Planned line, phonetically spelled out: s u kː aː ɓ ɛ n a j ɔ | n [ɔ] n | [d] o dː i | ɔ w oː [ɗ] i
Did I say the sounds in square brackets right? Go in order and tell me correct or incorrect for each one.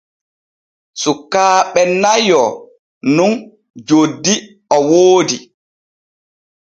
incorrect: u, incorrect: d͡ʒ, incorrect: d

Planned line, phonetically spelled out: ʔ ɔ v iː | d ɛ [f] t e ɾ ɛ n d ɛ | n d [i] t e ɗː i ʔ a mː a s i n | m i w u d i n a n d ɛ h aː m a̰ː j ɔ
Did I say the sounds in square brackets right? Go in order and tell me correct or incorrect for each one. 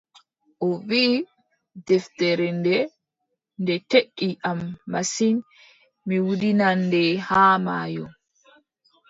correct, incorrect: ɛ

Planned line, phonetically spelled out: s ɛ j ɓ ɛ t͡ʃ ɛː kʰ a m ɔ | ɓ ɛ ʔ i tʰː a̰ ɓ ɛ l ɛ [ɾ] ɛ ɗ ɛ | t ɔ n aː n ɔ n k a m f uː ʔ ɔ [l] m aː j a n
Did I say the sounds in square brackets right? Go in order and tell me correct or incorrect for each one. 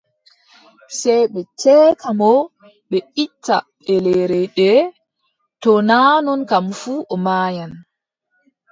correct, incorrect: none

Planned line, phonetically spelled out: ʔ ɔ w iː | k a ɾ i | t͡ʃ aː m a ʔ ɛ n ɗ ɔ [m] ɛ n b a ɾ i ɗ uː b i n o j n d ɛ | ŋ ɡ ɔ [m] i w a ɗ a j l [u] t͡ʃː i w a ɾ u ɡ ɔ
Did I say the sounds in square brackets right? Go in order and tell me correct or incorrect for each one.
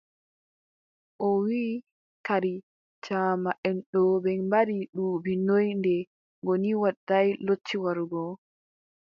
incorrect: b, incorrect: n, incorrect: o

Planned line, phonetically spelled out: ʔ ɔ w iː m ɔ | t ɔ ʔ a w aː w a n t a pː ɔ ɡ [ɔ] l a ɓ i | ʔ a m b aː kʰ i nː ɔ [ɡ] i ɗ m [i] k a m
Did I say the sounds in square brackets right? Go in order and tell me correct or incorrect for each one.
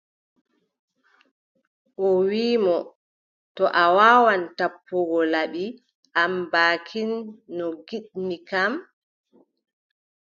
correct, correct, correct

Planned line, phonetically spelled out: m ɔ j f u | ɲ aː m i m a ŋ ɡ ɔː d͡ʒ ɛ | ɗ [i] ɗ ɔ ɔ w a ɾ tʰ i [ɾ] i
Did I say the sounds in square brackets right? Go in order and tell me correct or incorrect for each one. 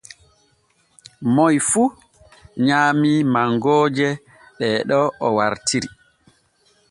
incorrect: ɛ, correct

